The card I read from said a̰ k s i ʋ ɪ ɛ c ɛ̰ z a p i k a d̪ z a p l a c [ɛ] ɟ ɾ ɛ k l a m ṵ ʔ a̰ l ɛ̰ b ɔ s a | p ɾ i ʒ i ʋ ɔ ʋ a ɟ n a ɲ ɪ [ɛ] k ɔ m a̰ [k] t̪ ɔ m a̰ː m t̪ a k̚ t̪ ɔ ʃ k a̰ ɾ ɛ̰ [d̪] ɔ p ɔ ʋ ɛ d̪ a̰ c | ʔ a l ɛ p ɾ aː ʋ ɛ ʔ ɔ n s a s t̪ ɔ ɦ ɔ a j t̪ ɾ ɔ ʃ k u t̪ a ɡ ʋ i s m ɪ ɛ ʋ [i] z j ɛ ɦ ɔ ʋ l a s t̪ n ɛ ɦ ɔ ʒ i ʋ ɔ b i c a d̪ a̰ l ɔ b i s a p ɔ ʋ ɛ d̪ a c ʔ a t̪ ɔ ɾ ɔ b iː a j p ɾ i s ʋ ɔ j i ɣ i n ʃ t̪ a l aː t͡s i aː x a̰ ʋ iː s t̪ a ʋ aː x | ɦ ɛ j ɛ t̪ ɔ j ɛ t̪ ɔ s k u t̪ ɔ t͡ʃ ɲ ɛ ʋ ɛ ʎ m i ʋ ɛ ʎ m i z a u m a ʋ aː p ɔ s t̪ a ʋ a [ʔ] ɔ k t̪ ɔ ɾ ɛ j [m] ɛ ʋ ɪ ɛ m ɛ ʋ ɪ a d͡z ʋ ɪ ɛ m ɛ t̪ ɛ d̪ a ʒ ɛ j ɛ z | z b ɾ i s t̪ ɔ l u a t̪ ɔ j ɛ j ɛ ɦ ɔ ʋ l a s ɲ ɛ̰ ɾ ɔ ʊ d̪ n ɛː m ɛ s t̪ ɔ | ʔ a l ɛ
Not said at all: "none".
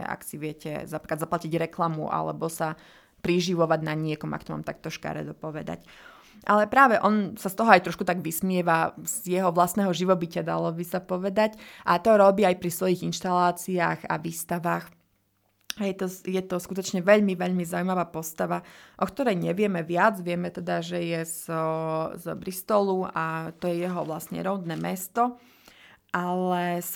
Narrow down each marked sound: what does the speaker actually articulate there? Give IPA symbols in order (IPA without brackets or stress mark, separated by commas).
i, ɛ, k, d̪, a, ʔ, ɲ